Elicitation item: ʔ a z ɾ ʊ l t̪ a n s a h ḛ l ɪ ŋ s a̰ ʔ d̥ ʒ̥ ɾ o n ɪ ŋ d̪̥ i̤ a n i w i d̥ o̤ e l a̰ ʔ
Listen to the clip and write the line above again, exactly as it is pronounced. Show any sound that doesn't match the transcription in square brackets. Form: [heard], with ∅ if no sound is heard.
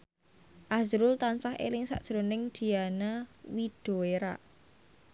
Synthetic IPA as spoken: ʔ a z ɾ ʊ l t̪ a n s a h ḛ l ɪ ŋ s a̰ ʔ d̥ ʒ̥ ɾ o n ɪ ŋ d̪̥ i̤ a n [a] w i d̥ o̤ e [ɾ] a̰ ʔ